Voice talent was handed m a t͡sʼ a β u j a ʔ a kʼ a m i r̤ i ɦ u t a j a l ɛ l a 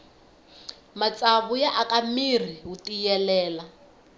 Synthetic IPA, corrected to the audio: m a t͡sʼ a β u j a ʔ a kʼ a m i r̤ i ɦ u t i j ɛ l ɛː l a